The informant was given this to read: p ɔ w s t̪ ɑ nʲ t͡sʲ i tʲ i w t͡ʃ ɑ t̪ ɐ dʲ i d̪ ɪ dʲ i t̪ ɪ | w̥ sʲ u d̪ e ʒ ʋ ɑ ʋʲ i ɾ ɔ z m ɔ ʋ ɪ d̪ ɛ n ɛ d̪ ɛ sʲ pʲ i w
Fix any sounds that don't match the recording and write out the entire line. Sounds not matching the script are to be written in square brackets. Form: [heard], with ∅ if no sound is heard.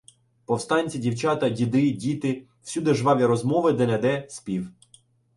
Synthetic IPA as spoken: p ɔ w s t̪ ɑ nʲ t͡sʲ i [dʲ] i w t͡ʃ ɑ t̪ ɐ dʲ i d̪ ɪ dʲ i t̪ ɪ | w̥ sʲ u d̪ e ʒ ʋ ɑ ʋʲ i ɾ ɔ z m ɔ ʋ ɪ d̪ ɛ n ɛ d̪ ɛ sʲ pʲ i w